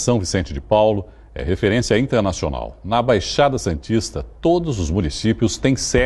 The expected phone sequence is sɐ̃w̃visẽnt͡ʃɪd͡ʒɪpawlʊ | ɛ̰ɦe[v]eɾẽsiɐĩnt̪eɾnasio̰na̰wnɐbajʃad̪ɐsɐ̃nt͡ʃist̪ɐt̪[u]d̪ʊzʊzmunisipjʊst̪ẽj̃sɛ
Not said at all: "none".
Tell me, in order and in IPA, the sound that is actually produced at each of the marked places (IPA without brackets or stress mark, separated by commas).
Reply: f, o